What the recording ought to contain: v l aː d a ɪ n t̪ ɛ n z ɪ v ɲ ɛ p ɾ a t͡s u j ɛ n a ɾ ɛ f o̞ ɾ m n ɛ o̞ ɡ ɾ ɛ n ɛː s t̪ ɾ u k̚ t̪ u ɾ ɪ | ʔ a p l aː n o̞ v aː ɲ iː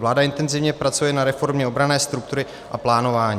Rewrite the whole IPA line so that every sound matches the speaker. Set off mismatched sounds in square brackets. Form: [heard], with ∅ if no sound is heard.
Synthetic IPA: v l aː d a ɪ n t̪ ɛ n z ɪ v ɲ ɛ p ɾ a t͡s u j ɛ n a ɾ ɛ f o̞ ɾ m [ɲ] ɛ o̞ [b] ɾ [a] n ɛː s t̪ ɾ u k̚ t̪ u ɾ ɪ | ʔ a p l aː n o̞ v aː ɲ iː